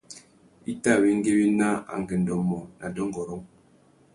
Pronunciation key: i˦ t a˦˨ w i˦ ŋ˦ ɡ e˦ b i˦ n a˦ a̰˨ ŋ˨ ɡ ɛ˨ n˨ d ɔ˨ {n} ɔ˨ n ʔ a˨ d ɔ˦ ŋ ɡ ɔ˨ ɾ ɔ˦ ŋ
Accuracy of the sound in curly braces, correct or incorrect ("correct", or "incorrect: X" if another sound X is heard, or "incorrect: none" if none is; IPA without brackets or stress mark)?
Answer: incorrect: m